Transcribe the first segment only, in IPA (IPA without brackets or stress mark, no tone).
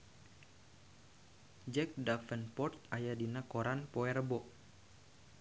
d͡ʒ